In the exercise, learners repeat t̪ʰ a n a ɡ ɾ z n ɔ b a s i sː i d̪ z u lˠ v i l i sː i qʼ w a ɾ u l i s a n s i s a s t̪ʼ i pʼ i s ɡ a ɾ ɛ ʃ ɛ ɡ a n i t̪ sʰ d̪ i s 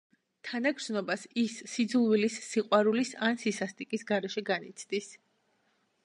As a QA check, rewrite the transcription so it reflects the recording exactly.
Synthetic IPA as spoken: t̪ʰ a n a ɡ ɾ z n ɔ b a s i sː i d̪ z u lˠ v i l i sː i qʼ w a ɾ u l i s a n s i s a s t̪ʼ i kʼ i s ɡ a ɾ ɛ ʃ ɛ ɡ a n i t̪ sʰ d̪ i s